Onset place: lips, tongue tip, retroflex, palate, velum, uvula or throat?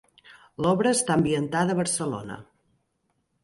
tongue tip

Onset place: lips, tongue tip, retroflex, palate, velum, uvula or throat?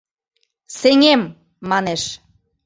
tongue tip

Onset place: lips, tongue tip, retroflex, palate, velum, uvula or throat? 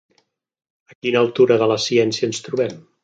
velum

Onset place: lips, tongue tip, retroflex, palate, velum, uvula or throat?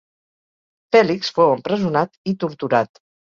lips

